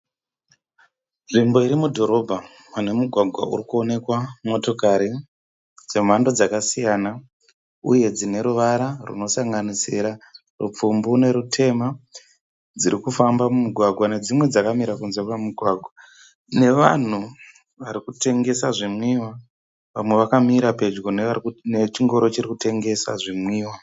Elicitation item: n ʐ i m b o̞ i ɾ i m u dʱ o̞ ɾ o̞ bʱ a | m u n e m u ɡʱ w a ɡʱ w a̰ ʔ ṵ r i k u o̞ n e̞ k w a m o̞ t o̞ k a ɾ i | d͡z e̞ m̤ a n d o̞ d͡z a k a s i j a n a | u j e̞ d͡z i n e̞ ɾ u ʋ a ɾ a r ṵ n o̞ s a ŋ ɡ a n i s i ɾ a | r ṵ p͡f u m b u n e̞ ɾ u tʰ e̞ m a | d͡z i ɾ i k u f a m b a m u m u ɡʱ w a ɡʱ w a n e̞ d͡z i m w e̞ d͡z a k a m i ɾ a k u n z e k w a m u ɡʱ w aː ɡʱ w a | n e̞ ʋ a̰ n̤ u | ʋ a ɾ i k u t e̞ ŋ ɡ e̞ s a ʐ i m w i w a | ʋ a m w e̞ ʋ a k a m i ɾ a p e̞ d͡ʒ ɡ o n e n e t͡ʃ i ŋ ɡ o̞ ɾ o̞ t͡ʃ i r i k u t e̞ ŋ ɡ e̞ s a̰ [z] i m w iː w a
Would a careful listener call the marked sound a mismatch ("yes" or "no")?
yes